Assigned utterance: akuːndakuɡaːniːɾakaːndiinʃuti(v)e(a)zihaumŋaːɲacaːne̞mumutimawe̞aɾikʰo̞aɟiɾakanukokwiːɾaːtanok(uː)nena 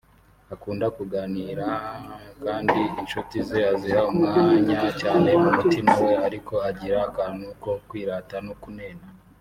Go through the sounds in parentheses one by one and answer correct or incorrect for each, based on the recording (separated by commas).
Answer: incorrect, correct, incorrect